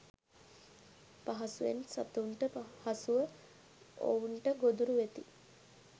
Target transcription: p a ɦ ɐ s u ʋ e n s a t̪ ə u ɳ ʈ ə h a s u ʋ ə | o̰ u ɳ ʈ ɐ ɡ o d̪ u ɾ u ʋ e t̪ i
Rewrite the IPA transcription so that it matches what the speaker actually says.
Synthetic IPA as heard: p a ɦ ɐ s u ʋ e n s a t̪ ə u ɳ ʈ ə h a s u ʋ ə | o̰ u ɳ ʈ ə ɡ o d̪ u ɾ u ʋ e t̪ i